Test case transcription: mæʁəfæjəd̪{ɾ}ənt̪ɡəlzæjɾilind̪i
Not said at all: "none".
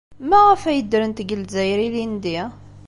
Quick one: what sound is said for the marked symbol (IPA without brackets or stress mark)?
ɾ